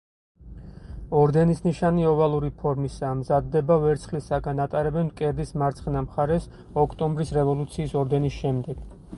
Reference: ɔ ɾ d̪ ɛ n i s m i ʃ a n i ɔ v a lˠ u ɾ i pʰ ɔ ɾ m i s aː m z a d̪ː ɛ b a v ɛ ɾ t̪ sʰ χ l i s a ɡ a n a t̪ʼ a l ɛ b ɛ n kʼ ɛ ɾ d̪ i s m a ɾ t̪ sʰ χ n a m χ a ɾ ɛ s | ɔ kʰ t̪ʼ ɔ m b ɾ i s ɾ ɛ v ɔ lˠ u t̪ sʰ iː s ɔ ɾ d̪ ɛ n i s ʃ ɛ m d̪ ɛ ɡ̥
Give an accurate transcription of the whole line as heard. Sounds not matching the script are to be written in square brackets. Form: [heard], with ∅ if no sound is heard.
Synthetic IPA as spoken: ɔ ɾ d̪ ɛ n i s [n] i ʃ a n i ɔ v a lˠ u ɾ i pʰ ɔ ɾ m i s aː m z a d̪ː ɛ b a v ɛ ɾ t̪ sʰ χ l i s a ɡ a n a t̪ʼ a [ɾ] ɛ b ɛ n kʼ ɛ ɾ d̪ i s m a ɾ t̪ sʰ χ n a m χ a ɾ ɛ s | ɔ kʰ t̪ʼ ɔ m b ɾ i s ɾ ɛ v ɔ lˠ u t̪ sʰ iː s ɔ ɾ d̪ ɛ n i s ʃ ɛ m d̪ ɛ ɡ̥

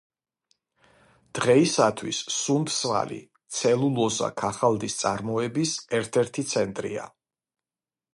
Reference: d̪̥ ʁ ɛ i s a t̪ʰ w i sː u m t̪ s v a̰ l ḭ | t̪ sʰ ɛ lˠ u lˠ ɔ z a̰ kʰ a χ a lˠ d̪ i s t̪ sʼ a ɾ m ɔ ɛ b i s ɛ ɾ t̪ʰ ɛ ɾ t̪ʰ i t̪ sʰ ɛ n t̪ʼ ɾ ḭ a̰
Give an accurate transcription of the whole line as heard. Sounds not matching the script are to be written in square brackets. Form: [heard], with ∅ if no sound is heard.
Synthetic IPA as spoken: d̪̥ ʁ ɛ i s a t̪ʰ w i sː u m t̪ s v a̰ l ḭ | t̪ sʰ ɛ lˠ u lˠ ɔ z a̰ kʰ a χ a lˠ d̪ i s t̪ sʼ a ɾ m ɔ ɛ b i s ɛ ɾ t̪ʰ ɛ ɾ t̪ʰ i t̪ sʰ ɛ n t̪ʼ ɾ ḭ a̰

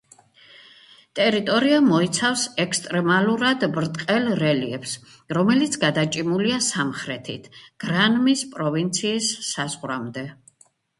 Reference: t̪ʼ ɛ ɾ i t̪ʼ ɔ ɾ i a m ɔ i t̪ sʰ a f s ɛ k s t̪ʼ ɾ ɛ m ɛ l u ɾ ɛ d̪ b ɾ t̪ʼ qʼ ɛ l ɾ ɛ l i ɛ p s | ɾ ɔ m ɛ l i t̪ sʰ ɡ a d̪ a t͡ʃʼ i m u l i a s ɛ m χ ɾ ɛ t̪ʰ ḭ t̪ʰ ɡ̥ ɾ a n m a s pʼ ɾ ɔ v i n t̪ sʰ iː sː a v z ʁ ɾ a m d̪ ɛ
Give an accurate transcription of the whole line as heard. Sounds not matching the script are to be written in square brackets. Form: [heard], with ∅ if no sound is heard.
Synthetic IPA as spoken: t̪ʼ ɛ ɾ i t̪ʼ ɔ ɾ i a m ɔ i t̪ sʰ a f s ɛ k s t̪ʼ ɾ ɛ m [a] l u ɾ [a] d̪ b ɾ t̪ʼ qʼ ɛ l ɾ ɛ l i ɛ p s | ɾ ɔ m ɛ l i t̪ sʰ ɡ a d̪ a t͡ʃʼ i m u l i a s [a] m χ ɾ ɛ t̪ʰ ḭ t̪ʰ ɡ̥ ɾ a n m [i] s pʼ ɾ ɔ v i n t̪ sʰ iː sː a [∅] z ʁ ɾ a m d̪ ɛ

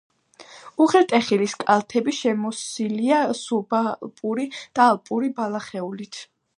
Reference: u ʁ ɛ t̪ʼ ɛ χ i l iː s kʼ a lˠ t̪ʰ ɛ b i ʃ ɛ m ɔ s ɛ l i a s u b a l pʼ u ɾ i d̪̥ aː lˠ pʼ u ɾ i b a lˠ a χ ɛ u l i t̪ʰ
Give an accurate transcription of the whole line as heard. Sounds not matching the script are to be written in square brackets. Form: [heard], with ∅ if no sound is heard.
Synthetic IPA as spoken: u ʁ ɛ t̪ʼ ɛ χ i l [i] s kʼ a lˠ t̪ʰ ɛ b i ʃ ɛ m ɔ s [i] l i a s u b a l pʼ u ɾ i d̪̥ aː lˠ pʼ u ɾ i b a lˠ a χ ɛ u l i t̪ʰ

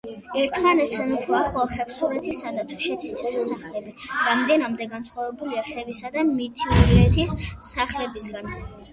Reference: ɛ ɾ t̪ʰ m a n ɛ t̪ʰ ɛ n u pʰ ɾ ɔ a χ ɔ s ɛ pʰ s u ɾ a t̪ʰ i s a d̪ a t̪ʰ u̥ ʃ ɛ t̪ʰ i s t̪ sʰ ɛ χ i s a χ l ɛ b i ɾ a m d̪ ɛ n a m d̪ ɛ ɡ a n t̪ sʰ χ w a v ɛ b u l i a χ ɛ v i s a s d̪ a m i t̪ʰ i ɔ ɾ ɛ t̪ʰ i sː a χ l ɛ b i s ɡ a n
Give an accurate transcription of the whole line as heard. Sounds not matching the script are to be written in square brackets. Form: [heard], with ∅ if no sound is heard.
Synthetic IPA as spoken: ɛ ɾ t̪ʰ m a n ɛ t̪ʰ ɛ n u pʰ ɾ ɔ a χ ɔ [χ] ɛ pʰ s u ɾ [ɛ] t̪ʰ i s a d̪ a t̪ʰ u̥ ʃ ɛ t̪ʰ i s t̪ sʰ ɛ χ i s a χ l ɛ b i ɾ a m d̪ ɛ n a m d̪ ɛ ɡ a n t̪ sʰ χ w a v ɛ b u l i a χ ɛ v i s a [∅] d̪ a m i t̪ʰ i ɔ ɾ ɛ t̪ʰ i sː a χ l ɛ b i s ɡ a n

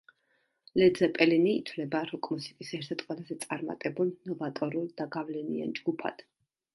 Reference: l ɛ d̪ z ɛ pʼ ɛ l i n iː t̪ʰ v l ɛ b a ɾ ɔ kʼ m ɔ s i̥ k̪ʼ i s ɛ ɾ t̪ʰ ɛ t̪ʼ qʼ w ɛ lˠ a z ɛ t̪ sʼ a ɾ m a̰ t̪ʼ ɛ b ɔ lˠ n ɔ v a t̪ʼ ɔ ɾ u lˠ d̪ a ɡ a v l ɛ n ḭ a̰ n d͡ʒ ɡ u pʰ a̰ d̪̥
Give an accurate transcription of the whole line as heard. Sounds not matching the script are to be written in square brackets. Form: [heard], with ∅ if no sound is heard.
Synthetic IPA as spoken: l ɛ d̪ z ɛ pʼ ɛ l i n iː t̪ʰ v l ɛ b a ɾ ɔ kʼ m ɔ s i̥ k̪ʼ i s ɛ ɾ t̪ʰ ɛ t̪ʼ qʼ w ɛ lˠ a z ɛ t̪ sʼ a ɾ m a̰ t̪ʼ ɛ b [u] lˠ n ɔ v a t̪ʼ ɔ ɾ u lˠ d̪ a ɡ a v l ɛ n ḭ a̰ n d͡ʒ ɡ u pʰ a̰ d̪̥

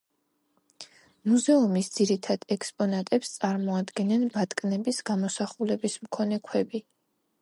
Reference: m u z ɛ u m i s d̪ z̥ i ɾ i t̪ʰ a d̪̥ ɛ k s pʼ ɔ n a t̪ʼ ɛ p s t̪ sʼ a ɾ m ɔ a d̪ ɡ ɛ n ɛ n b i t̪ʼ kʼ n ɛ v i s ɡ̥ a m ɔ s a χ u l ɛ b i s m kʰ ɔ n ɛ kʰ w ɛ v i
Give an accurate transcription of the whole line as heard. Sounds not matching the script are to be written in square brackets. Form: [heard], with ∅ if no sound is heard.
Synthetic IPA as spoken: m u z ɛ u m i s d̪ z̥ i ɾ i t̪ʰ a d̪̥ ɛ k s pʼ ɔ n a t̪ʼ ɛ p s t̪ sʼ a ɾ m ɔ a d̪ ɡ ɛ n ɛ n b [a] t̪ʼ kʼ n ɛ [b] i s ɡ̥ a m ɔ s a χ u l ɛ b i s m kʰ ɔ n ɛ kʰ w ɛ [b] i

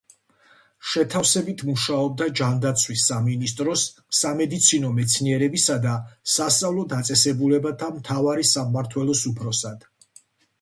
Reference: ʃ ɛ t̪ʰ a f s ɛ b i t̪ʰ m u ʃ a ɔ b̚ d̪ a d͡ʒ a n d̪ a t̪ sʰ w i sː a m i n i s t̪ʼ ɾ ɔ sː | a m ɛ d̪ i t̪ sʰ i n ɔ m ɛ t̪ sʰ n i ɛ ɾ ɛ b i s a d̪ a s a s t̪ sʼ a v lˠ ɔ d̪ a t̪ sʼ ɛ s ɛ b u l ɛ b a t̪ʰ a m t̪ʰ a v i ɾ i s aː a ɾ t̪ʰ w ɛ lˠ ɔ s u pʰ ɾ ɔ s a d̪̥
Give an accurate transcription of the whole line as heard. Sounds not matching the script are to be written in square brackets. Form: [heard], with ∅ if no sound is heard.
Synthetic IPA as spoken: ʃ ɛ t̪ʰ a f s ɛ b i t̪ʰ m u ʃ a ɔ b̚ d̪ a d͡ʒ a n d̪ a t̪ sʰ w i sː a m i n i s t̪ʼ ɾ ɔ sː | a m ɛ d̪ i t̪ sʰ i n ɔ m ɛ t̪ sʰ n i ɛ ɾ ɛ b i s a d̪ a s a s t̪ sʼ a v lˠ ɔ d̪ a t̪ sʼ ɛ s ɛ b u l ɛ b a t̪ʰ a m t̪ʰ a v [a] ɾ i s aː a ɾ t̪ʰ w ɛ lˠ ɔ s u pʰ ɾ ɔ s a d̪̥

